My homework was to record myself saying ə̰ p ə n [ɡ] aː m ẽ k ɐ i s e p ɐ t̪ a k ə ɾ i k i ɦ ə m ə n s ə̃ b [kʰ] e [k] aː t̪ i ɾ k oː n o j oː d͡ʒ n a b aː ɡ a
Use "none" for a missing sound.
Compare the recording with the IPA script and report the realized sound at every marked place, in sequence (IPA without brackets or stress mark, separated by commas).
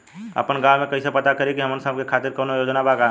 ɡ, k, kʰ